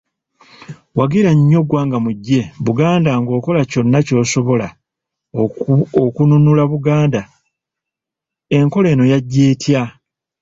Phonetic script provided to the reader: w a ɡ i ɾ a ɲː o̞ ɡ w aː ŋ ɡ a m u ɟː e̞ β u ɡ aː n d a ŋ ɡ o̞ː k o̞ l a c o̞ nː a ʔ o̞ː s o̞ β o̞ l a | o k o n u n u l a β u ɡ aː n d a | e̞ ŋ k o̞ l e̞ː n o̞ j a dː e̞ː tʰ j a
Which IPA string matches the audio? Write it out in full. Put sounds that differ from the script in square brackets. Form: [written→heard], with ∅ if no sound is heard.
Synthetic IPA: w a ɡ i ɾ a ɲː o̞ ɡ w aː ŋ ɡ a m u ɟː e̞ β u ɡ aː n d a ŋ ɡ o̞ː k o̞ l a c o̞ nː a [ʔ→c] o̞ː s o̞ β o̞ l a | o k [o→u] n u n u l a β u ɡ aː n d a | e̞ ŋ k o̞ l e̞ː n o̞ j a [dː→ɟː] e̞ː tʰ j a